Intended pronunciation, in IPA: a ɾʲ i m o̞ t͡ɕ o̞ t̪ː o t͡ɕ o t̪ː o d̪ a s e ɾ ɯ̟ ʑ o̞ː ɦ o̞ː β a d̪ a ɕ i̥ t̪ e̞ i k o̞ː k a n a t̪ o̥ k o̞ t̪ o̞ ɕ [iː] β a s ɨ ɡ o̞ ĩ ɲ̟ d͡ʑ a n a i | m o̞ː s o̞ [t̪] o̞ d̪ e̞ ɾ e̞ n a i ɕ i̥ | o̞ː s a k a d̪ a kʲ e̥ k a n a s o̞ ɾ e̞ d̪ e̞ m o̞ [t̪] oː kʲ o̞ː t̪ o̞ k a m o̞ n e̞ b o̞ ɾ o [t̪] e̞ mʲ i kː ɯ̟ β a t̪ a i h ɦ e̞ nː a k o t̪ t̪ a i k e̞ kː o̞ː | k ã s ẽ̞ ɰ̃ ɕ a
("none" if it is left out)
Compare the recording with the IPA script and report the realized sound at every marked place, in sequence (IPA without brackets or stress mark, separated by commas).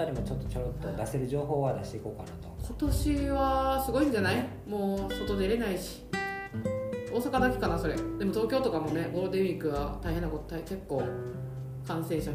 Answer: i, t̪, t̪, d̪